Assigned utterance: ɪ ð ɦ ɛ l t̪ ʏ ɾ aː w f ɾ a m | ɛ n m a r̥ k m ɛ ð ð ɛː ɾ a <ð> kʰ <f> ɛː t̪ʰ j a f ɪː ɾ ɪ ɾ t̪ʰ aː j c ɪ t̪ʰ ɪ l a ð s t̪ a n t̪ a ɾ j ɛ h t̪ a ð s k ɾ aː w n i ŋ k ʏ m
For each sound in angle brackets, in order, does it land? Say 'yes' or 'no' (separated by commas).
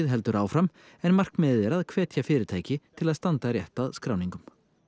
yes, no